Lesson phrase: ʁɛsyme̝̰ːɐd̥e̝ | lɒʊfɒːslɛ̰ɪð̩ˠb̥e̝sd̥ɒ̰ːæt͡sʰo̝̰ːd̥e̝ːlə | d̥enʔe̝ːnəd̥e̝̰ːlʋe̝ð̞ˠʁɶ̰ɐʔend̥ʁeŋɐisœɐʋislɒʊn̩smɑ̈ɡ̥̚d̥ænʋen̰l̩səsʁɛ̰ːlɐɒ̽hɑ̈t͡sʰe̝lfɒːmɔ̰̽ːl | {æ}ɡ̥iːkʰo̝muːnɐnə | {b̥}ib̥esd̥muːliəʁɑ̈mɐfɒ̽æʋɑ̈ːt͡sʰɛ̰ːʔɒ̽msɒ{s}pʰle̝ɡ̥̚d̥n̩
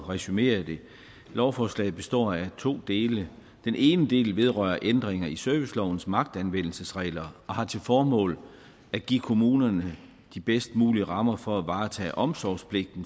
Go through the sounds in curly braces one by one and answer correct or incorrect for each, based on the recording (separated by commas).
correct, incorrect, correct